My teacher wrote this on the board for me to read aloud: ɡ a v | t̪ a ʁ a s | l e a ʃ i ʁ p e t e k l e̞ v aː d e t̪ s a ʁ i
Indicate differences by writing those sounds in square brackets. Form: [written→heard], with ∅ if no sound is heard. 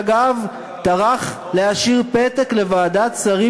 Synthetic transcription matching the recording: ɡ a v | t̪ a ʁ a [s→χ] | l e a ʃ i ʁ p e t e k l e̞ v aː d [e→a] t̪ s a ʁ i